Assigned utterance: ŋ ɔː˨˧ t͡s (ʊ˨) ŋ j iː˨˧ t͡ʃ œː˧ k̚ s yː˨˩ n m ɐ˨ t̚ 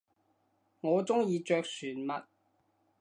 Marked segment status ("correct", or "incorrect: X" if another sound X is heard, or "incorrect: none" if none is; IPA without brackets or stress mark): incorrect: ʊ˥